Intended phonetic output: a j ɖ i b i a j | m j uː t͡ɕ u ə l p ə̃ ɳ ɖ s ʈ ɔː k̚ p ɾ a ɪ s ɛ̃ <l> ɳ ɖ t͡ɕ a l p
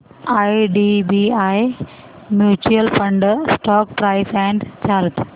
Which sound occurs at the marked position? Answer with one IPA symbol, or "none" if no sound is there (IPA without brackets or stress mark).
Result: none